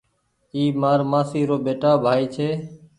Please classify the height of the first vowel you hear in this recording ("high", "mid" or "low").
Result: high